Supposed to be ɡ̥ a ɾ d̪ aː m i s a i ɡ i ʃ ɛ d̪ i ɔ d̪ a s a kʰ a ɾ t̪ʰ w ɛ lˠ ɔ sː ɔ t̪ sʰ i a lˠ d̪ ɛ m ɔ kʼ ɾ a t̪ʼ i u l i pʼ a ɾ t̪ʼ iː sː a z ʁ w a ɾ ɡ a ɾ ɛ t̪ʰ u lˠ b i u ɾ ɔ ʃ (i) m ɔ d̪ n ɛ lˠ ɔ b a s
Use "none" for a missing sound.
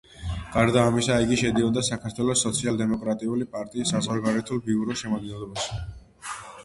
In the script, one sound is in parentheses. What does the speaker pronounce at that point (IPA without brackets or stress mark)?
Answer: ɛ